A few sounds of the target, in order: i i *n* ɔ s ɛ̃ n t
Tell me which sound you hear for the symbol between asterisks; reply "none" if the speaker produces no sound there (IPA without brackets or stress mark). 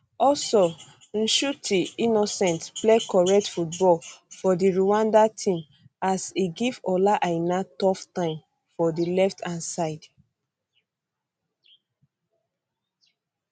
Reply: n